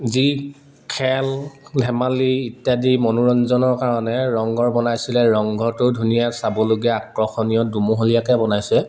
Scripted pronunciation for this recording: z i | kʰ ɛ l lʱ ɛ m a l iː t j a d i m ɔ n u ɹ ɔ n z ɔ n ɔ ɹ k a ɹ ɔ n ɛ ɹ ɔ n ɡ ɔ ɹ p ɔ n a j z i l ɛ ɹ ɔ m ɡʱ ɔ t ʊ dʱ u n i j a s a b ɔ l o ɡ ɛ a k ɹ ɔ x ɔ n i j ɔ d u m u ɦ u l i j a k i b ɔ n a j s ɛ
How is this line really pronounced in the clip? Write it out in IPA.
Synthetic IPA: z i | kʰ ɛ l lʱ ɛ m a l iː t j a d i m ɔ n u ɹ ɔ n z ɔ n ɔ ɹ k a ɹ ɔ n ɛ ɹ ɔ ŋ ɡ ɔ ɹ b ɔ n a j s i l ɛ ɹ ɔ ŋ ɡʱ ɔ t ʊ dʱ u n i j a s a b ɔ l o ɡ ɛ a k ɹ ɔ x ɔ n i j ɔ d u m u ɦ o l i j a k ɛ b ɔ n a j s ɛ